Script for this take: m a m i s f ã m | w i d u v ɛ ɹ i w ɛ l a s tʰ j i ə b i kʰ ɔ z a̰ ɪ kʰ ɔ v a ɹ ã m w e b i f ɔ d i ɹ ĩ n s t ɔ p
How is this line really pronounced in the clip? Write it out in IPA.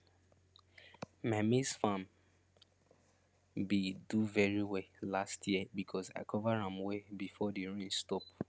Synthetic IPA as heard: m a m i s f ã m | b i d u v ɛ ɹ i w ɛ l a s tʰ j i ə b i kʰ ɔ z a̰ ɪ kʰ ɔ v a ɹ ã m w e b i f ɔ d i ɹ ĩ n s t ɔ p